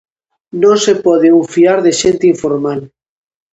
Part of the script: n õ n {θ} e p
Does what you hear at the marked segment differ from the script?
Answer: yes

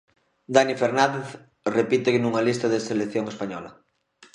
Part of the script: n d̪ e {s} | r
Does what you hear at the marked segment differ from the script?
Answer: yes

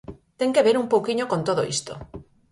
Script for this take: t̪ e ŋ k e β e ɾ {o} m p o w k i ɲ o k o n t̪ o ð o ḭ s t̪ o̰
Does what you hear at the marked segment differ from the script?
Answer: yes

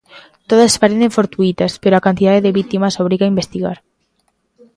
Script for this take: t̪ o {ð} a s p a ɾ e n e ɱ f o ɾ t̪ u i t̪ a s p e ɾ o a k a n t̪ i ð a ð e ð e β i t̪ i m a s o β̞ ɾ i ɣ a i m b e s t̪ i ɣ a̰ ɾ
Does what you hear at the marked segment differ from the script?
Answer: no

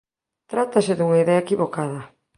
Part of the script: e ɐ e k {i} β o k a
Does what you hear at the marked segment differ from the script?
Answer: no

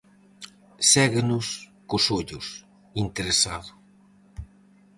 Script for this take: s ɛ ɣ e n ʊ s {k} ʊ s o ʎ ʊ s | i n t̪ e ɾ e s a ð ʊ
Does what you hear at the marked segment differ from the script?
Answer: no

